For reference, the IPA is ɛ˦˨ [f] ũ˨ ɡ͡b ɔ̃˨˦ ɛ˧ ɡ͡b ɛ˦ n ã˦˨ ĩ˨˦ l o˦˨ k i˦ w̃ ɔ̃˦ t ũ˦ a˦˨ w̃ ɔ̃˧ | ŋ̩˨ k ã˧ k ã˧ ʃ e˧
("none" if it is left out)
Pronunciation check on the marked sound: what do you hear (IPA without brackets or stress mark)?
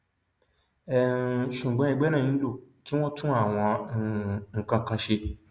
ʃ